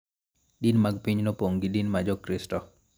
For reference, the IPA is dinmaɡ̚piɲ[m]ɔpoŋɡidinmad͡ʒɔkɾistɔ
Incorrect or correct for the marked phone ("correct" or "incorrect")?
incorrect